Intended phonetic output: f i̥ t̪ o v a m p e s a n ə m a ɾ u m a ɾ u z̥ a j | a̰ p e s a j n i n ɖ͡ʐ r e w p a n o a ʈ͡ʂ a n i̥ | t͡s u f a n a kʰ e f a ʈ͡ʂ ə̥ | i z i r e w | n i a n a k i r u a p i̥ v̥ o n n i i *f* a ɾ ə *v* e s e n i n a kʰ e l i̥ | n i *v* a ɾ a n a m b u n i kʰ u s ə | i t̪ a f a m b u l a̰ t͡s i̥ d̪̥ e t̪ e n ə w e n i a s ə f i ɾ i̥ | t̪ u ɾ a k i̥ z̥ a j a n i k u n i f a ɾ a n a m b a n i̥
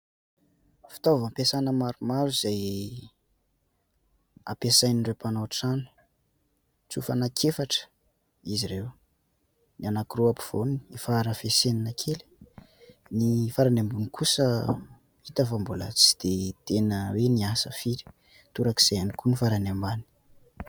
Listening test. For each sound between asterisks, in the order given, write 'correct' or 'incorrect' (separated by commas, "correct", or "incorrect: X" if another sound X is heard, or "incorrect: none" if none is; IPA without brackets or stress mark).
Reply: correct, incorrect: f, incorrect: f